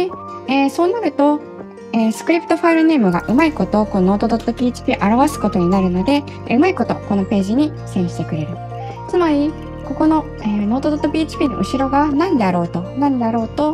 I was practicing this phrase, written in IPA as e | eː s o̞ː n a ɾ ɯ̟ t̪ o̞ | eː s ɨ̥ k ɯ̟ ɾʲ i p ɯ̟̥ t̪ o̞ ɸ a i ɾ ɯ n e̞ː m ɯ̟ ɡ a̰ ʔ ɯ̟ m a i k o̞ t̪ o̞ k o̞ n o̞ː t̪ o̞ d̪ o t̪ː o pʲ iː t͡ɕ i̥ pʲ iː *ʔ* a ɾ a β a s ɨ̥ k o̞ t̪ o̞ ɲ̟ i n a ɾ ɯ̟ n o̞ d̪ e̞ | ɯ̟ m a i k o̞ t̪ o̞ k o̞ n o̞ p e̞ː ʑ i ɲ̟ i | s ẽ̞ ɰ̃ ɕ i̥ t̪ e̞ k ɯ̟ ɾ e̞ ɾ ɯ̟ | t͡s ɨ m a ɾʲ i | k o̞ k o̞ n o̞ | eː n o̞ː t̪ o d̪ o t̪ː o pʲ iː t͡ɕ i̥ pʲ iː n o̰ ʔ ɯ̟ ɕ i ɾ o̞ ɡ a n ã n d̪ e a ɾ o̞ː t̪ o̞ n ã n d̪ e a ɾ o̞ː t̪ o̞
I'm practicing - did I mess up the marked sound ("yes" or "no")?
no